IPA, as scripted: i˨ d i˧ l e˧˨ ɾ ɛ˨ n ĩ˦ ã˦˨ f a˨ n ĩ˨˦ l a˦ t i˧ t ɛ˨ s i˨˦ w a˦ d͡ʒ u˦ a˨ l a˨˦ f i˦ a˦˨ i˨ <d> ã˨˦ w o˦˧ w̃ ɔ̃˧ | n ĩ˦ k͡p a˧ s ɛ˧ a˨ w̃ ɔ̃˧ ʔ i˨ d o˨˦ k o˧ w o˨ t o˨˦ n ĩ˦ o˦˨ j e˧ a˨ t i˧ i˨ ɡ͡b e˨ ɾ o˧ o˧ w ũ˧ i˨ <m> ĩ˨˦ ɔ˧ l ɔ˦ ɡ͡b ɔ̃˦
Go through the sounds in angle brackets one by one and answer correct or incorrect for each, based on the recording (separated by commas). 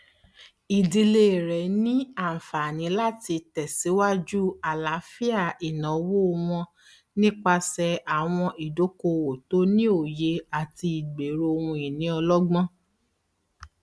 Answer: incorrect, incorrect